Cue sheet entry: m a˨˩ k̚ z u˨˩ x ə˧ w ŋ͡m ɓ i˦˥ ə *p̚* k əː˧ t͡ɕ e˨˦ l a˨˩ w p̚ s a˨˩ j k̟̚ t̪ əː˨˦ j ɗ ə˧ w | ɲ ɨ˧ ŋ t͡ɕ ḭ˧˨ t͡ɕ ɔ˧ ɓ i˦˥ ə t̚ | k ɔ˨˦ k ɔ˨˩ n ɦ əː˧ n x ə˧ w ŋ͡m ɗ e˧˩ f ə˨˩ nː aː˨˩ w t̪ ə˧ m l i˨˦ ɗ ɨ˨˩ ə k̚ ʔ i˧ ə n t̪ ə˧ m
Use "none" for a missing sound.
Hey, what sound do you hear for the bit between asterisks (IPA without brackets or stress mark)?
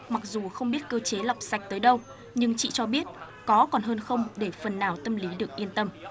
t̚